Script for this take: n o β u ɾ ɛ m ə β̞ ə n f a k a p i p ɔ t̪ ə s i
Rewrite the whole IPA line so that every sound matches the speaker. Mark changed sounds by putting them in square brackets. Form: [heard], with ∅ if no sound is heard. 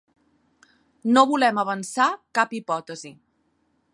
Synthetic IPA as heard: n o β u [l] ɛ m ə β̞ ə n [s] a k a p i p ɔ t̪ ə [z] i